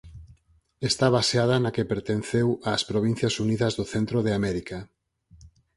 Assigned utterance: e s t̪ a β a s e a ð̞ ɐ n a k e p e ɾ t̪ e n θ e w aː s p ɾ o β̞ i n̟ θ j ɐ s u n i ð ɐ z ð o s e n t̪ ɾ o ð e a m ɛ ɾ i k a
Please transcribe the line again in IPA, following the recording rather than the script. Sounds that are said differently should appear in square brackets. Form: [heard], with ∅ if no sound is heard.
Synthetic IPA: e s t̪ a β a s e a ð̞ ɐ n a k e p e ɾ t̪ e n θ e w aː s p ɾ o β̞ i n̟ θ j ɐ s u n i ð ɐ z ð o [θ] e n t̪ ɾ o ð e a m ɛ ɾ i k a